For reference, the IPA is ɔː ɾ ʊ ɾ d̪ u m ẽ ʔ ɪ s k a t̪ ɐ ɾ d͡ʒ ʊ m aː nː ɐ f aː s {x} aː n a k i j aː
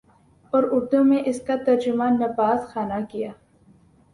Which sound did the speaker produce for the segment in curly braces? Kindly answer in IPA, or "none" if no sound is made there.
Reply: x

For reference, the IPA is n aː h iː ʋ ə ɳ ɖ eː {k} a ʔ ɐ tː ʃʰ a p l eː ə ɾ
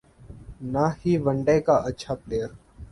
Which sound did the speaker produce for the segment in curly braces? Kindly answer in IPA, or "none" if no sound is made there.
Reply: k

